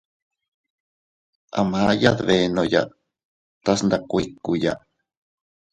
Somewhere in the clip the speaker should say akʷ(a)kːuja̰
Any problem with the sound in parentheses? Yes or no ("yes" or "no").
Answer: yes